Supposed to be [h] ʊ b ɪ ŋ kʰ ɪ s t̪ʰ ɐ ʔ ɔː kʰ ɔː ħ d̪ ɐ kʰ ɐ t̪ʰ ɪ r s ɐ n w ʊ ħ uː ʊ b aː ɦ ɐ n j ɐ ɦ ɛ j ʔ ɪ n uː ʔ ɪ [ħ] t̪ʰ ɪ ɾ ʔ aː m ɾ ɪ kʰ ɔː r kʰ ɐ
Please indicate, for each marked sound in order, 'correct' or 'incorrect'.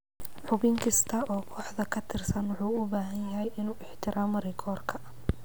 incorrect: ħ, correct

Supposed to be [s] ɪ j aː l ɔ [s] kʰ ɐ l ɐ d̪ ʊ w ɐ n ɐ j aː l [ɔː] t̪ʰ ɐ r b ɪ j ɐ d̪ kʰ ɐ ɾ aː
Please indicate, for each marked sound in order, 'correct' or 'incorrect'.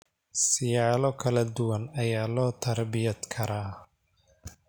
correct, incorrect: none, correct

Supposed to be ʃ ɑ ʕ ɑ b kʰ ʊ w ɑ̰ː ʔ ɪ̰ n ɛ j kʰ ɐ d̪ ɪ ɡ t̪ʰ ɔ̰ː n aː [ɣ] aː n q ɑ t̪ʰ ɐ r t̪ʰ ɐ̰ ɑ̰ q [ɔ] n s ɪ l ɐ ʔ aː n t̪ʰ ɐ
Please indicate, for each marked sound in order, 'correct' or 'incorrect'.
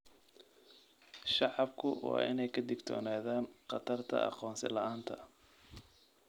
incorrect: ð, incorrect: ɔː

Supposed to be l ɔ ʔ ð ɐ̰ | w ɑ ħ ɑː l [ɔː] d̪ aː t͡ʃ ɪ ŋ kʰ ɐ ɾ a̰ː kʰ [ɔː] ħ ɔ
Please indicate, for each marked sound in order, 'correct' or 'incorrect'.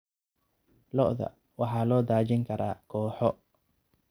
correct, correct

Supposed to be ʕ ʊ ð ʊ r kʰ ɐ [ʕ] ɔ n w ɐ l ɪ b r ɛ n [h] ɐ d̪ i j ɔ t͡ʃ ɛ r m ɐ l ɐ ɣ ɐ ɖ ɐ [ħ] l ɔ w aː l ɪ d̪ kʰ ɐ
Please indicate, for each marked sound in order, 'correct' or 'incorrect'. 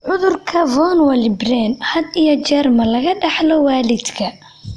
incorrect: v, correct, correct

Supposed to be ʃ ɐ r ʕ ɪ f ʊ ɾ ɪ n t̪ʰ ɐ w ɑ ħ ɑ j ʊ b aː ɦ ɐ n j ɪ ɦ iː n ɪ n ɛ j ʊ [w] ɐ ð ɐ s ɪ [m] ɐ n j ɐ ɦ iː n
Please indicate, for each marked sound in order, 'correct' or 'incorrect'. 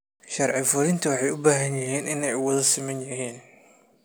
correct, correct

